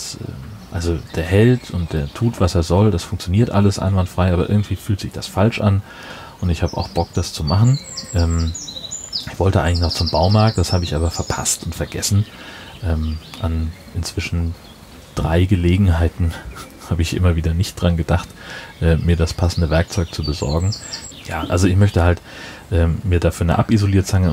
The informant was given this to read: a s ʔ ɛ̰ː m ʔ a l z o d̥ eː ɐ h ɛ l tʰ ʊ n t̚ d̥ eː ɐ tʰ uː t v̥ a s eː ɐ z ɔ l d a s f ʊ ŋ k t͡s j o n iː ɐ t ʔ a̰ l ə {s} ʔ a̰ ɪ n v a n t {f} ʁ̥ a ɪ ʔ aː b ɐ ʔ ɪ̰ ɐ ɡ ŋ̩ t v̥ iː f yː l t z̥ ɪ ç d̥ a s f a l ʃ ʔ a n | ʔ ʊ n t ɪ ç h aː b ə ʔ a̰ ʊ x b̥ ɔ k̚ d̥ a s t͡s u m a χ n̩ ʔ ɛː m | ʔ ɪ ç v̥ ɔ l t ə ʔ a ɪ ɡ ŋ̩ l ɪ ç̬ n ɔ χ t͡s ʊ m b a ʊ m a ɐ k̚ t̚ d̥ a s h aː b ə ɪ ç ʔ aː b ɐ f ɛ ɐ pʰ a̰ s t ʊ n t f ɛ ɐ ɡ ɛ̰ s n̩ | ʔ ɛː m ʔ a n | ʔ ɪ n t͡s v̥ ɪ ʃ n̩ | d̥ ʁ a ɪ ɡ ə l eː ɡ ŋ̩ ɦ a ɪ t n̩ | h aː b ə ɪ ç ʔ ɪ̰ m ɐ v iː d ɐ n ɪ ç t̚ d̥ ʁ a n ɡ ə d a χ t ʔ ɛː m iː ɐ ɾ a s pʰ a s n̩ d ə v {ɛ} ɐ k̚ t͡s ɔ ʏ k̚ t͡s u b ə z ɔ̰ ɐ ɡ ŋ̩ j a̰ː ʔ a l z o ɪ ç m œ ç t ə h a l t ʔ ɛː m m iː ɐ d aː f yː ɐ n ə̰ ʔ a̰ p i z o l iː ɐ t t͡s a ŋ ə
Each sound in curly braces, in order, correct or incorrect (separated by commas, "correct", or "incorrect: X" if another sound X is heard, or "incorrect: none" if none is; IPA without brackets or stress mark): correct, correct, correct